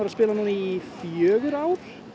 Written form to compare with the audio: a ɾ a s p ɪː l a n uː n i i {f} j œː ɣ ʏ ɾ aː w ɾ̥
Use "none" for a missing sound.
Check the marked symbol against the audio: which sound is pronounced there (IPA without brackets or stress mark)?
f